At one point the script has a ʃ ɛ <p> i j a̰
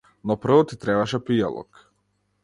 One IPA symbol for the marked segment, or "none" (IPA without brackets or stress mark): p